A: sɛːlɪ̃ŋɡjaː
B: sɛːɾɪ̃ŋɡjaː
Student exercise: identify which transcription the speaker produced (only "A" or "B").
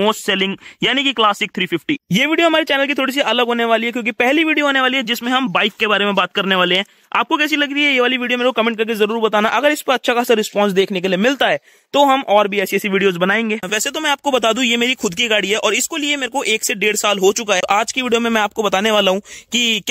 A